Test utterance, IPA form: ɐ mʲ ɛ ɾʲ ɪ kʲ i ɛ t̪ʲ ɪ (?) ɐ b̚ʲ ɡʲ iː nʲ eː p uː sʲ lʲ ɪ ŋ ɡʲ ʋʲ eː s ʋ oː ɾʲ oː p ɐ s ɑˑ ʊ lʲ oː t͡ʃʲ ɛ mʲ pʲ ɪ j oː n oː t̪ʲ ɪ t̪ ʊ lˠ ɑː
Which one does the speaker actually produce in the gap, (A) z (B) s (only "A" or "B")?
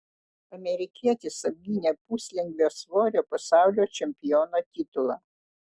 B